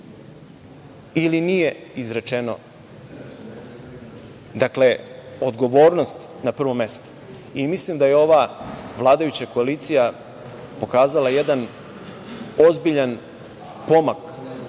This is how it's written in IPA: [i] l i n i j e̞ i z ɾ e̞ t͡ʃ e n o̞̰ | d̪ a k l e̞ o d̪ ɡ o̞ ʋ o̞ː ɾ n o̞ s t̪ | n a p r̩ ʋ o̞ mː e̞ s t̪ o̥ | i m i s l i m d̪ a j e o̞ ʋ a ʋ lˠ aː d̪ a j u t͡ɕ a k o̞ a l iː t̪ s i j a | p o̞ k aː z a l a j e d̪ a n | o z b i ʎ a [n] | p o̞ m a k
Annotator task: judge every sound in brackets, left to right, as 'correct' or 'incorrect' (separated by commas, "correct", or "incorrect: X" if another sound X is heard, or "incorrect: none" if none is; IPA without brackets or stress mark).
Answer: correct, correct